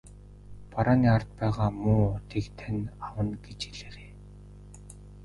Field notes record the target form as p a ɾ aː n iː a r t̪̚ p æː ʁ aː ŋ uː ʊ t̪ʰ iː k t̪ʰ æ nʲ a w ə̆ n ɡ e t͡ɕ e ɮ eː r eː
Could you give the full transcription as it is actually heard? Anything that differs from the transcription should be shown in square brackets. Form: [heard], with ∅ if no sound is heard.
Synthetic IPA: p a ɾ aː n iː a r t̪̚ p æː ʁ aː [m] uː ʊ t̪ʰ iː k t̪ʰ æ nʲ a w ə̆ n ɡ e t͡ɕ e ɮ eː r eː